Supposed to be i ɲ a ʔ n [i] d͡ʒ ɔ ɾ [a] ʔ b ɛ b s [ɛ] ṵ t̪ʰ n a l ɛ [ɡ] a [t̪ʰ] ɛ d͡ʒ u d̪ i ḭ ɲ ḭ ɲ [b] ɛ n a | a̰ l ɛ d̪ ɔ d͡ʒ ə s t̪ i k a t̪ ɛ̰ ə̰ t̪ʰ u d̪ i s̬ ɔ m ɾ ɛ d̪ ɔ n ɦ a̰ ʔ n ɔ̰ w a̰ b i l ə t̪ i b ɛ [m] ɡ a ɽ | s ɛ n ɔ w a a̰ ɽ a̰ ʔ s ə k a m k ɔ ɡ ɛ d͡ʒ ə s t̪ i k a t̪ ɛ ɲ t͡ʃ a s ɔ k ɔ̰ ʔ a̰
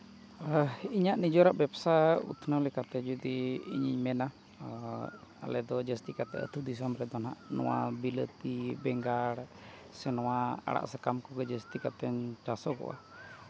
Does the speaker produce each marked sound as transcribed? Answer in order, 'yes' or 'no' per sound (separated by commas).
yes, yes, no, no, no, no, no